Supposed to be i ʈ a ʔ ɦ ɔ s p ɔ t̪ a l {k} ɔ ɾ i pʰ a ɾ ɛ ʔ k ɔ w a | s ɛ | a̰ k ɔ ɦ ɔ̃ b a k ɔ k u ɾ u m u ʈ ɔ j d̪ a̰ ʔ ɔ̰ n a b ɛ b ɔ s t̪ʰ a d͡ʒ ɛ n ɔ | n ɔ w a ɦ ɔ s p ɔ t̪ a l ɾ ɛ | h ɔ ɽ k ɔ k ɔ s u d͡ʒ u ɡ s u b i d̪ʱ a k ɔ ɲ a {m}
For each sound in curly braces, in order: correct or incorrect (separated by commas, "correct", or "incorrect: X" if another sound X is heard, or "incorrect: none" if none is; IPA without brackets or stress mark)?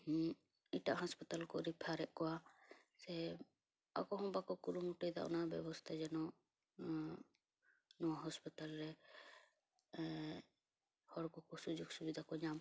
correct, correct